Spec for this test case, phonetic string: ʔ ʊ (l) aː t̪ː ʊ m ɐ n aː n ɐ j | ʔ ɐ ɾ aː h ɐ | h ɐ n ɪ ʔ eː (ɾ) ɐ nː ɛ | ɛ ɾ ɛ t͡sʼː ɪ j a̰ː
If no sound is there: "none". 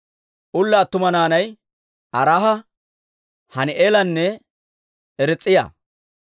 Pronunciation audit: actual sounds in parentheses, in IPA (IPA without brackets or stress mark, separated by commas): lː, l